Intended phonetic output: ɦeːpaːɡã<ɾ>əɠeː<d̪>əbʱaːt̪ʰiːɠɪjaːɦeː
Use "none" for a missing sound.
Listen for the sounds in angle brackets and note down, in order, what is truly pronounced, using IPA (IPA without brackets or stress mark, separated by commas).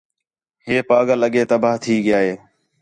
l, t̪